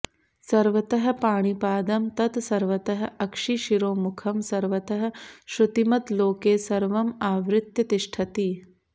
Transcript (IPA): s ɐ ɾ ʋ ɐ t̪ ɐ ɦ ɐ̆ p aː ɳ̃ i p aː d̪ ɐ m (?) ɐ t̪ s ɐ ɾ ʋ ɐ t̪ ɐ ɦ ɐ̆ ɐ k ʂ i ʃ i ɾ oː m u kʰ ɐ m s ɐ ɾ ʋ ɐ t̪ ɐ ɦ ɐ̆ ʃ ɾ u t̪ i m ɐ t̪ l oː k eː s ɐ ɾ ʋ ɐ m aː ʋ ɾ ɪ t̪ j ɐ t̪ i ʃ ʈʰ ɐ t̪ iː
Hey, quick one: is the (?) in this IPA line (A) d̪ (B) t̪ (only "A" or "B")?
B